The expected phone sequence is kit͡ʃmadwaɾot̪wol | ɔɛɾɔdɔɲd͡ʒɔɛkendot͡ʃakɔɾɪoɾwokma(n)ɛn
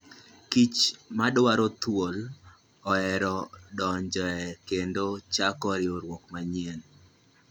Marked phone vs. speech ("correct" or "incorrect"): incorrect